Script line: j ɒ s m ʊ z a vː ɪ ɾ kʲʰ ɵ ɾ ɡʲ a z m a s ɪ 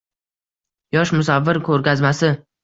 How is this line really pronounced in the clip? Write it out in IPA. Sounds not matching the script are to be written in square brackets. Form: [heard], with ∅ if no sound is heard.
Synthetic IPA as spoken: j ɒ [ʃ] m ʊ [s] a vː ɪ ɾ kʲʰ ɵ ɾ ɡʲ a z m a s ɪ